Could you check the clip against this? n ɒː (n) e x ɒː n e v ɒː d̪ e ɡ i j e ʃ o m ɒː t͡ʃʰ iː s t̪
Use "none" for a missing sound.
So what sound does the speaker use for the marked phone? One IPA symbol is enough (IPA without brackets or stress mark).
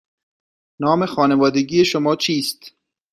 m